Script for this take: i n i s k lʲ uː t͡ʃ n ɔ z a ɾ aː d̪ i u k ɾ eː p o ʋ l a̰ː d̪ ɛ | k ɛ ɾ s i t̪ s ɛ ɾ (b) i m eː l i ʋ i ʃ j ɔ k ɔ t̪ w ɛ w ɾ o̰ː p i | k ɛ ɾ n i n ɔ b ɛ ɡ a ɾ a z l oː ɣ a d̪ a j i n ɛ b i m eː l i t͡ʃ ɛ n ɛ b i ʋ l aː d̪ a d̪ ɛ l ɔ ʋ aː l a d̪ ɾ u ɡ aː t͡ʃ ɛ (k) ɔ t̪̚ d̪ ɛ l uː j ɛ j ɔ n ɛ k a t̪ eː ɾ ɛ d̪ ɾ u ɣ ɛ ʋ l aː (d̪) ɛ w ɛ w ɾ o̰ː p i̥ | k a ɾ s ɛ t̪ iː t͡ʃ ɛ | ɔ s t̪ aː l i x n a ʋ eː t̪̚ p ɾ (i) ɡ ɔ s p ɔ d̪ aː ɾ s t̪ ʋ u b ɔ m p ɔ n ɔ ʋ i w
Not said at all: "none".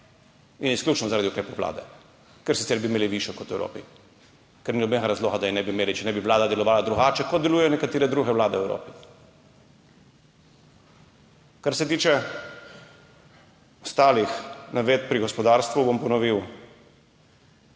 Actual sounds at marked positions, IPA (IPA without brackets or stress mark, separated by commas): b, k, d̪, i